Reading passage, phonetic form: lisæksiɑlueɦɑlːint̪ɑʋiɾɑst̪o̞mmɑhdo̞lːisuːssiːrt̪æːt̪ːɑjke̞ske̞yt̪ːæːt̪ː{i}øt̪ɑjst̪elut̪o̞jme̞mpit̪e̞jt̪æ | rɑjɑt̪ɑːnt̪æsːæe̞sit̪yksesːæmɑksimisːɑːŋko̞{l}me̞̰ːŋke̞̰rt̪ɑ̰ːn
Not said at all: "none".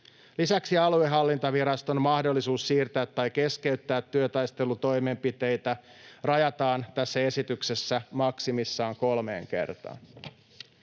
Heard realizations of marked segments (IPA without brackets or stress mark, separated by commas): y, l